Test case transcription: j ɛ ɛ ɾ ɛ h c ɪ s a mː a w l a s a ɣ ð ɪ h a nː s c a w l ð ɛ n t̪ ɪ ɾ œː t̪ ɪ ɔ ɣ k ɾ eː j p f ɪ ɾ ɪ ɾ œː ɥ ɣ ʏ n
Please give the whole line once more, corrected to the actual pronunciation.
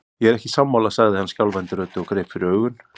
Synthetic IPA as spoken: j ɛ ɛ ɾ ɛ h c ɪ s a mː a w l a s a ɣ ð ɪ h a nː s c a w l v ɛ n t̪ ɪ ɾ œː t̪ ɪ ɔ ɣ k ɾ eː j p f ɪ ɾ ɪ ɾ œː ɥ ɣ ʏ n